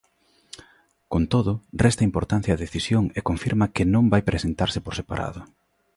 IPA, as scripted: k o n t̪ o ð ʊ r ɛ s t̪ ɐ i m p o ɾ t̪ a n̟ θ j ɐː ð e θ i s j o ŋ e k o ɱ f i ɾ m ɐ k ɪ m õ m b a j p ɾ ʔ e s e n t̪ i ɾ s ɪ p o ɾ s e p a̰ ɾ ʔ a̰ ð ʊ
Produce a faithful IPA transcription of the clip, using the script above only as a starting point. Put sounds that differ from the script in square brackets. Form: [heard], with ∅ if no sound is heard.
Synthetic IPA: k o n t̪ o ð ʊ r ɛ s t̪ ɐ i m p o ɾ t̪ a n̟ θ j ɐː ð e θ i s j o ŋ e k o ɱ f i ɾ m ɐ k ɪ [n] õ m b a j p ɾ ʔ e s e n t̪ [a] ɾ s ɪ p o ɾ s e p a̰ ɾ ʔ a̰ ð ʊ